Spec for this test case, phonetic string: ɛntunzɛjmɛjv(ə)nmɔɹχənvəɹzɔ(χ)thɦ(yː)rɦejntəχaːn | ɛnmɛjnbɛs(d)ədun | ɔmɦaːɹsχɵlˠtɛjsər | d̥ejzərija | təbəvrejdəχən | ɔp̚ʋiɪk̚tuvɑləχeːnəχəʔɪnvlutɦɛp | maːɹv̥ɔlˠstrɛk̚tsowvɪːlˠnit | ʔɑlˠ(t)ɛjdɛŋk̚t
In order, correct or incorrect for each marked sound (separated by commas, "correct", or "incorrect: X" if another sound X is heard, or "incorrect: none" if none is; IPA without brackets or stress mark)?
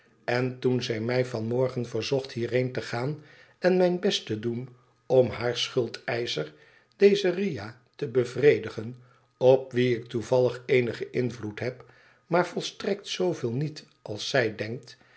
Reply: incorrect: ɑ, correct, incorrect: iː, incorrect: t, incorrect: s